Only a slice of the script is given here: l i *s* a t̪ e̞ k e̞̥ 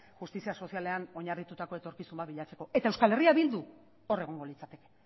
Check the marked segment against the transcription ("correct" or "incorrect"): incorrect